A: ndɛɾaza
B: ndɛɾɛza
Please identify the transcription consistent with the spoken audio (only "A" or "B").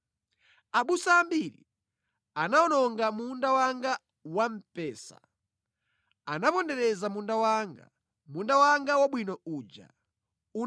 B